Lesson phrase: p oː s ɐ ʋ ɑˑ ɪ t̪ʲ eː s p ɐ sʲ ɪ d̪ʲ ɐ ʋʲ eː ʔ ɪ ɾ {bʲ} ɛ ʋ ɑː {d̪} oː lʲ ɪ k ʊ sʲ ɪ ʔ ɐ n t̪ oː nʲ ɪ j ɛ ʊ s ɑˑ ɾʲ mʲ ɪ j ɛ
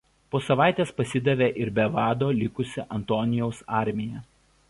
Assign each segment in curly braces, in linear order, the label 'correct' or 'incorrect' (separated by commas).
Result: correct, correct